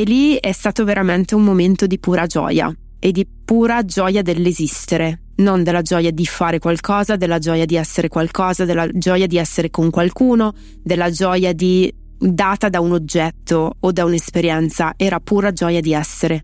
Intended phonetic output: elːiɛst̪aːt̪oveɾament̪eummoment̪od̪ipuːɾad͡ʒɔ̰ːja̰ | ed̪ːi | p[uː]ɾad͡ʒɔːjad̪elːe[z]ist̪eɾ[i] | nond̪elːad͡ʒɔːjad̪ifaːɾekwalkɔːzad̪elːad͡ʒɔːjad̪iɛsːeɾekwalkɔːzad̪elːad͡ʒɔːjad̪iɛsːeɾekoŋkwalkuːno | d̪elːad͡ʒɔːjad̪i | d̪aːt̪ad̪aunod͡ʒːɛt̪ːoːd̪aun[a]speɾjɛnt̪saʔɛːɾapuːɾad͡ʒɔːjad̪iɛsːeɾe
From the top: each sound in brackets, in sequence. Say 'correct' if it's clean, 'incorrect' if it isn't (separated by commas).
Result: correct, correct, incorrect, incorrect